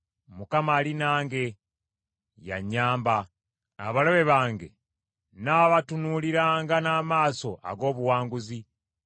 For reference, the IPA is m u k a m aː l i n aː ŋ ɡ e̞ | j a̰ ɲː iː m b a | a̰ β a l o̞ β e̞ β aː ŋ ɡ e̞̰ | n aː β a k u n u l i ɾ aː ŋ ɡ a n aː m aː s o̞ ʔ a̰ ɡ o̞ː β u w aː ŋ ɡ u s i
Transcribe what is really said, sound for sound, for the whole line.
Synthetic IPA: m u k a m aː l i n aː ŋ ɡ e̞ | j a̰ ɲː aː m b a | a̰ β a l o̞ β e̞ β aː ŋ ɡ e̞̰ | n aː β a t u n u l i ɾ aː ŋ ɡ a n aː m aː s o̞ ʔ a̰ ɡ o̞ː β u w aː ŋ ɡ u z i

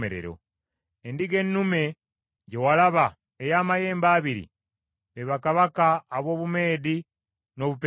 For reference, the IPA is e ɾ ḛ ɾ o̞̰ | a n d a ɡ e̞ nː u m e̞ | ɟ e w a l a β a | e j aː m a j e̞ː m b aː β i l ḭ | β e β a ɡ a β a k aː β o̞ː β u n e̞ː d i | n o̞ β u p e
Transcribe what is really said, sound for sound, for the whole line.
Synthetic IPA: e ɾ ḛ ɾ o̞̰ | e n d i ɡ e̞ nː u m e̞ | ɟ e w a l a β a | e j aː m a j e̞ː m b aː β i ɾ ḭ | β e β a k a β a k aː β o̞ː β u m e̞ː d i | n o̞ β u p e

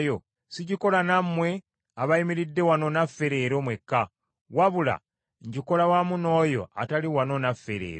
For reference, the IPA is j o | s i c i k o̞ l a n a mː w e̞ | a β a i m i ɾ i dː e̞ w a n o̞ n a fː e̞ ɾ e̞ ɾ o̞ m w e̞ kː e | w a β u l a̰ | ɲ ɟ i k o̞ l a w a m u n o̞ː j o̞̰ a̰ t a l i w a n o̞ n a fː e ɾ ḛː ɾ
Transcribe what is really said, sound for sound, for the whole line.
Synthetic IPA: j o | s i ɟ i k o̞ l a n a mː w e̞ | a β a i m i ɾ i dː e̞ w a n o̞ n a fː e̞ ɾ e̞ ɾ o̞ m w e̞ kː a | w a β u l a̰ | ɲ ɟ i k o̞ l a w a m u n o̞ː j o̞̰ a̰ t a l i w a n o̞ n a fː e ɾ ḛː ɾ

